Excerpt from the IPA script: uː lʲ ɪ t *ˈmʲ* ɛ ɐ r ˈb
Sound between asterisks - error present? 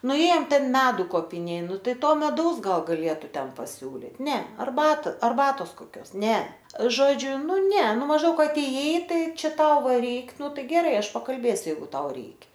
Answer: yes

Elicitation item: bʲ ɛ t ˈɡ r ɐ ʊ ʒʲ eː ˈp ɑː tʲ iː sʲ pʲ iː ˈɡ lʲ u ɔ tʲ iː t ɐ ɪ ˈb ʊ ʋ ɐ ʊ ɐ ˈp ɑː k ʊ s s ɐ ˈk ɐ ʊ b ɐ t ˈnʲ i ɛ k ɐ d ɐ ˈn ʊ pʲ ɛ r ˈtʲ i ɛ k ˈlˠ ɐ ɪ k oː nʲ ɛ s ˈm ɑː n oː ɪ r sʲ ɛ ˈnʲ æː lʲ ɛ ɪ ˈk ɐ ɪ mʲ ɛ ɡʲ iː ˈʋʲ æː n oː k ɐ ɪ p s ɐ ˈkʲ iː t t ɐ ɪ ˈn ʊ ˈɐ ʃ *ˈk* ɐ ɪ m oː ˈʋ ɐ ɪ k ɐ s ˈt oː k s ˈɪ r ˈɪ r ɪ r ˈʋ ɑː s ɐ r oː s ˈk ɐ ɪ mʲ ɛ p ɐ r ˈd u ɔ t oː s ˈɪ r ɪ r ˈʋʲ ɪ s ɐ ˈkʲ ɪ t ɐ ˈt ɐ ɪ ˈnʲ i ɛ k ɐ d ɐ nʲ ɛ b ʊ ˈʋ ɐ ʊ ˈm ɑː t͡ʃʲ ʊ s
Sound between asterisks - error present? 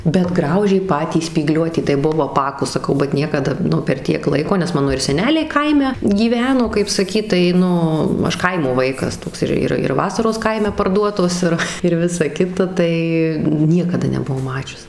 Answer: no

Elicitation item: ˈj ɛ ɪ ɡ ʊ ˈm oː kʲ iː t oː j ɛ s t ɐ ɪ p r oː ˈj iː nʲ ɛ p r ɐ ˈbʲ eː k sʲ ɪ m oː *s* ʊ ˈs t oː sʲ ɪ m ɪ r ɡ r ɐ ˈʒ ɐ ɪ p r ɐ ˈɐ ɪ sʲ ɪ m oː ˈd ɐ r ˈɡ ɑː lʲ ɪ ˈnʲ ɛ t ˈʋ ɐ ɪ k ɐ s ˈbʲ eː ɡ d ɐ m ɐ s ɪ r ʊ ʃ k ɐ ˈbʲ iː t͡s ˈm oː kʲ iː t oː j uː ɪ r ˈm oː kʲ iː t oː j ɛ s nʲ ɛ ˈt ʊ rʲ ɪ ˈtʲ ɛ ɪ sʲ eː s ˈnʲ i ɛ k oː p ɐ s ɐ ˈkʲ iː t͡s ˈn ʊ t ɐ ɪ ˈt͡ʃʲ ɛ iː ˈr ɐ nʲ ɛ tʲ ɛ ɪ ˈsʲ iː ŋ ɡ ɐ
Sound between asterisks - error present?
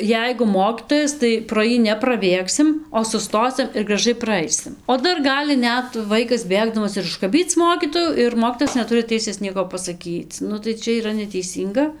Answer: no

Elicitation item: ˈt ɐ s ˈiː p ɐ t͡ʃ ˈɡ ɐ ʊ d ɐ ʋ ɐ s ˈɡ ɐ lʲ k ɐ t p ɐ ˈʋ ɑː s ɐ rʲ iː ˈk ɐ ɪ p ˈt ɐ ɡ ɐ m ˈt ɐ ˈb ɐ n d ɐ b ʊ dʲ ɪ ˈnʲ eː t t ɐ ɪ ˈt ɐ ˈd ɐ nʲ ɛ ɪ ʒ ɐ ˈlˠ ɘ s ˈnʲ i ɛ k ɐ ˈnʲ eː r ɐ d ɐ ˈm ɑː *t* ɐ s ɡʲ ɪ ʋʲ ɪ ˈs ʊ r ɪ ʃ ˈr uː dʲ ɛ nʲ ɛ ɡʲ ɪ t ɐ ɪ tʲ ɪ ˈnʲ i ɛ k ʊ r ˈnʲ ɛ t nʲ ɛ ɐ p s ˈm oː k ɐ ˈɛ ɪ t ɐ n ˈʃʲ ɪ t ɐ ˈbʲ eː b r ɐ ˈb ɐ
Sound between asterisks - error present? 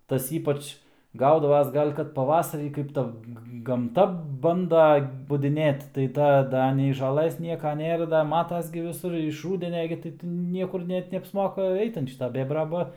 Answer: no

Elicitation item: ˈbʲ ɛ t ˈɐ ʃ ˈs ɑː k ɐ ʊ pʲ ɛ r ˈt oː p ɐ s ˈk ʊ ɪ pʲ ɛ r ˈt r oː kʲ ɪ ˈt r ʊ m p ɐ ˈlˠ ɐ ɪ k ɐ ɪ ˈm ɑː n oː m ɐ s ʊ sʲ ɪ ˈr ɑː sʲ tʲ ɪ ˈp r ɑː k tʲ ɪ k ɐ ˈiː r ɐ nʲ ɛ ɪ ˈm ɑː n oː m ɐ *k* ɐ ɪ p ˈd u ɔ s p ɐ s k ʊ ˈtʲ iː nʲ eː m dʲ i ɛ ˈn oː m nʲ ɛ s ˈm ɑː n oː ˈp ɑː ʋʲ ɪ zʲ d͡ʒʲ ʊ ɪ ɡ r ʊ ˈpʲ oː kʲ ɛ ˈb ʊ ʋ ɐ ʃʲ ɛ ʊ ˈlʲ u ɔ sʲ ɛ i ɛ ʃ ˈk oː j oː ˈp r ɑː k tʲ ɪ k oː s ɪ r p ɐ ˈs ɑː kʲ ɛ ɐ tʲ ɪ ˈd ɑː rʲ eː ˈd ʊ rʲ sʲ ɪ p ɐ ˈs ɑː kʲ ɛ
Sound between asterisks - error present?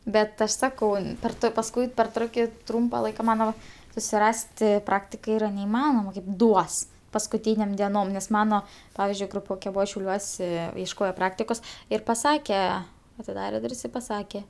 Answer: no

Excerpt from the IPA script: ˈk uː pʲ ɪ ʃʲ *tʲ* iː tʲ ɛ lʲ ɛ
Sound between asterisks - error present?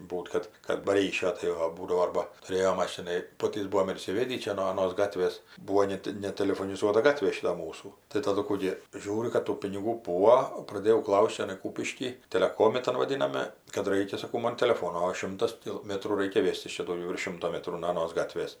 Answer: yes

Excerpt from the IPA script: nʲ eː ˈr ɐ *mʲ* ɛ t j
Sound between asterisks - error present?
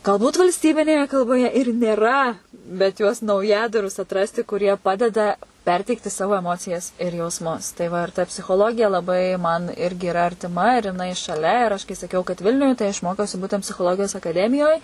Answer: yes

